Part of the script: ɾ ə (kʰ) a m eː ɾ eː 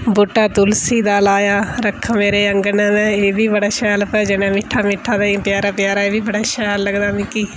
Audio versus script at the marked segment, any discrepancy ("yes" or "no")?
no